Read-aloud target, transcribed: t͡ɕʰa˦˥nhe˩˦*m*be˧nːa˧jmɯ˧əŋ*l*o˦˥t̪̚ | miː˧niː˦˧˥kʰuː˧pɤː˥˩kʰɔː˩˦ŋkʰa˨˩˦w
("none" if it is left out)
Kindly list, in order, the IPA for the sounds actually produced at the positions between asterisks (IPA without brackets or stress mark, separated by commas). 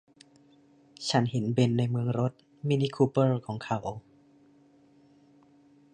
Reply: n, ɾ